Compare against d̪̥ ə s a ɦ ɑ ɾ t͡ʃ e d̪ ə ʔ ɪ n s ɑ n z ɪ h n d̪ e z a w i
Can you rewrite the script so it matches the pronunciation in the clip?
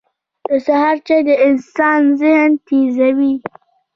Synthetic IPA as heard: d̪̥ ə s a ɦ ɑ ɾ t͡ʃ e d̪ ə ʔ ɪ n s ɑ n z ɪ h n t̪ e z a w i